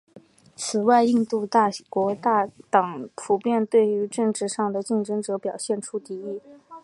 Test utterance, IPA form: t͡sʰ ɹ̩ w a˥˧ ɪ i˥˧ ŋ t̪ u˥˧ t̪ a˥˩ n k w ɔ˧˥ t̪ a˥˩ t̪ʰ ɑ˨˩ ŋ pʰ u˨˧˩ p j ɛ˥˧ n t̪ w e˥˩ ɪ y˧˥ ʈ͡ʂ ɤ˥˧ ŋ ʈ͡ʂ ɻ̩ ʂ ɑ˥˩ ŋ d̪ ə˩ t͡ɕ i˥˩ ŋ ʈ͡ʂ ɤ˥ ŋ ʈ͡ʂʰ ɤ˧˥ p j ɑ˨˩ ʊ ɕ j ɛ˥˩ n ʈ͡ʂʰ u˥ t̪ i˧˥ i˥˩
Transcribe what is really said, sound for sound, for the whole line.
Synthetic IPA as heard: t͡sʰ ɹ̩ w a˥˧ ɪ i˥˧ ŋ t̪ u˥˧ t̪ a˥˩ k w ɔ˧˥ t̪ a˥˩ t̪ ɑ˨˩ ŋ pʰ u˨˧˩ p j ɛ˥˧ n t̪ w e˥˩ ɪ y˧˥ ʈ͡ʂ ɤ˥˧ ŋ ʈ͡ʂ ɻ̩ ʂ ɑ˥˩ ŋ d̪ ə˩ t͡ɕ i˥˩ ŋ ʈ͡ʂ ɤ˥ ŋ ʈ͡ʂ ɤ˧˥ p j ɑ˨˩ ʊ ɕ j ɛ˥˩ n ʈ͡ʂʰ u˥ t̪ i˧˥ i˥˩